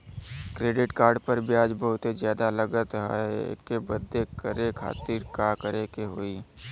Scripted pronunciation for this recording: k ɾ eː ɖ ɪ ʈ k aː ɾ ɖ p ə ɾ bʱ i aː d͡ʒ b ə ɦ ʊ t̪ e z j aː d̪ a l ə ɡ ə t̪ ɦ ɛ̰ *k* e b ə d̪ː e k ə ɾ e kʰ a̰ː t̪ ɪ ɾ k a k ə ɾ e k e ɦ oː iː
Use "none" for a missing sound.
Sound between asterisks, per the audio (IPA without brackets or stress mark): k